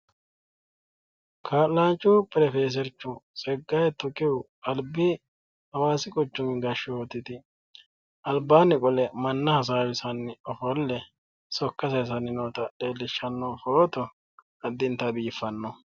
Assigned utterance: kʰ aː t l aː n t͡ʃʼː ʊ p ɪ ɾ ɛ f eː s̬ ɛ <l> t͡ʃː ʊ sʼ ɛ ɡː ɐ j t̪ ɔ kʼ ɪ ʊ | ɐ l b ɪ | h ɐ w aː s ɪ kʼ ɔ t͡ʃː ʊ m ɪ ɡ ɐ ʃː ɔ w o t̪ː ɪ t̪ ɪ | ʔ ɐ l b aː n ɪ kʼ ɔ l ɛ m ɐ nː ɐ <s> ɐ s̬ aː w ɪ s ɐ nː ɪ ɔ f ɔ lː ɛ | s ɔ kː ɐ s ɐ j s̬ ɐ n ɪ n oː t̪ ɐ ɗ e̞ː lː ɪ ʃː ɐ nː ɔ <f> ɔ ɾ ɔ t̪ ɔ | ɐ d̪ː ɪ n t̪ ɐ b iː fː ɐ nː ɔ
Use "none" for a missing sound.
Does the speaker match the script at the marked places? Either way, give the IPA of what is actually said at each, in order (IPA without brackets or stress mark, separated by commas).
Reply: ɾ, h, f